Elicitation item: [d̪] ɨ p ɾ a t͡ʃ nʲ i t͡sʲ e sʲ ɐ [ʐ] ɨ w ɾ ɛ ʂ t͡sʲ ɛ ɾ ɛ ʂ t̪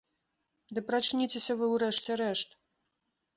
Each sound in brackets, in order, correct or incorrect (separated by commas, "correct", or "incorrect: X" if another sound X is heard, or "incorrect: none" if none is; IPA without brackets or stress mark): correct, incorrect: v